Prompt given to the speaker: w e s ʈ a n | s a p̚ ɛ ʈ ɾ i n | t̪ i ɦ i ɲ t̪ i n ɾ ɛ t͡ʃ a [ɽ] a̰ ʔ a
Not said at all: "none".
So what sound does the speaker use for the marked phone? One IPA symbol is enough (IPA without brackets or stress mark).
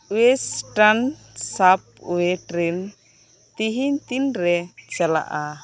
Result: l